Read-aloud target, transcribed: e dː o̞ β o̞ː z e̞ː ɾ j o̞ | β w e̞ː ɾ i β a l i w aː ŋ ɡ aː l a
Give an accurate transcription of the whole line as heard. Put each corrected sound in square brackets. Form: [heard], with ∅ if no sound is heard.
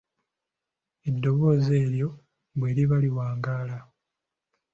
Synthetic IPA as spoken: e dː o̞ β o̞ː z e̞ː ɾ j o̞ | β w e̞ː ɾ i β a l i w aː ŋ ɡ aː l a